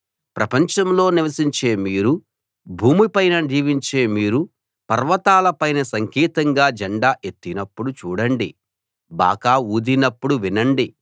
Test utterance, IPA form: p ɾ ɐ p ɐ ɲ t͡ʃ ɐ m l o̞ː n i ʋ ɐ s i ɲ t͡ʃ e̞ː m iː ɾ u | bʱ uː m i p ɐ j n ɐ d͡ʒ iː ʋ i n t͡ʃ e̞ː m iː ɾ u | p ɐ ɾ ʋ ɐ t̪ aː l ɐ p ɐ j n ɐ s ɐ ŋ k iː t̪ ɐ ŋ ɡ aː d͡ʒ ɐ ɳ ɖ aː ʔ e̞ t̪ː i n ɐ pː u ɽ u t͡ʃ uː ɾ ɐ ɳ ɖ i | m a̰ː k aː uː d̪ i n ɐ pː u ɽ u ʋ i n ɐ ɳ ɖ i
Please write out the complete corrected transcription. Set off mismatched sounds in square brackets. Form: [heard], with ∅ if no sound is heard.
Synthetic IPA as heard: p ɾ ɐ p ɐ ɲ t͡ʃ ɐ m l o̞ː n i ʋ ɐ s i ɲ t͡ʃ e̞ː m iː ɾ u | bʱ uː m i p ɐ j n ɐ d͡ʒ iː ʋ i [ɲ] t͡ʃ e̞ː m iː ɾ u | p ɐ ɾ ʋ ɐ t̪ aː l ɐ p ɐ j n ɐ s ɐ ŋ k iː t̪ ɐ ŋ ɡ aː d͡ʒ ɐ ɳ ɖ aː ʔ e̞ t̪ː i n ɐ pː u ɽ u t͡ʃ uː [ɽ] ɐ ɳ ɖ i | [b] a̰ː k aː uː d̪ i n ɐ pː u ɽ u ʋ i n ɐ ɳ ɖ i